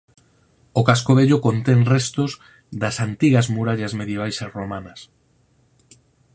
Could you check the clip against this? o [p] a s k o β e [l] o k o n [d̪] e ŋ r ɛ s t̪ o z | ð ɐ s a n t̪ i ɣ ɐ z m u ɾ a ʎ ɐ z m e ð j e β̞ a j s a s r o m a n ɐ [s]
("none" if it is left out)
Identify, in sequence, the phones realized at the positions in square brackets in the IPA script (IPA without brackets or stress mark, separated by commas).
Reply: k, ʎ, t̪, s